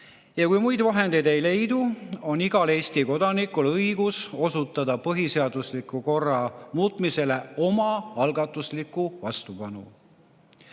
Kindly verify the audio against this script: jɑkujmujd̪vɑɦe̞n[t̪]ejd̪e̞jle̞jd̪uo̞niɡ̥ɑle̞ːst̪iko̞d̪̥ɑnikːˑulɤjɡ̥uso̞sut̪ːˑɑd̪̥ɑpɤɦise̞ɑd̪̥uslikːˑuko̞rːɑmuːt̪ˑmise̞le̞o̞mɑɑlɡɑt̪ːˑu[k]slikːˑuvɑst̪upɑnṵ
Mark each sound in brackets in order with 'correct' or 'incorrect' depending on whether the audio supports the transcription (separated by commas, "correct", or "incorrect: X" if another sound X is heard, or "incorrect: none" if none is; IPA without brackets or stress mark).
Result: incorrect: d̪, incorrect: none